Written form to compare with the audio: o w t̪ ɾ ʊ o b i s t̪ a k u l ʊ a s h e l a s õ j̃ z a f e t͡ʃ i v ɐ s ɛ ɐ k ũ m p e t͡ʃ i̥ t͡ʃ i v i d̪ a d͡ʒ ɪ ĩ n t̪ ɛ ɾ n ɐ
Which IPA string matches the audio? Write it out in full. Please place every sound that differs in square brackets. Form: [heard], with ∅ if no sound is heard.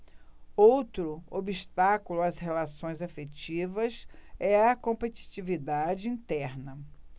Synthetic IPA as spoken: o w t̪ ɾ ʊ o b i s t̪ a k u l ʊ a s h e l a s õ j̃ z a f e t͡ʃ i v ɐ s ɛ ɐ k [õ] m p e t͡ʃ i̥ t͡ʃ i v i d̪ a d͡ʒ ɪ ĩ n t̪ ɛ ɾ n ɐ